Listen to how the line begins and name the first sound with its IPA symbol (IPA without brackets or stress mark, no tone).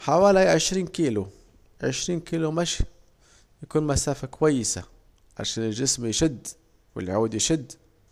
ħ